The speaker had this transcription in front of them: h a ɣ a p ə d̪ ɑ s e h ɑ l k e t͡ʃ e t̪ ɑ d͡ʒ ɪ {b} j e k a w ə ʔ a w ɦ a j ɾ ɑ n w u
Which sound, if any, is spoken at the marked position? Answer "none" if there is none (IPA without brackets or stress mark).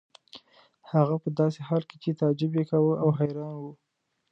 b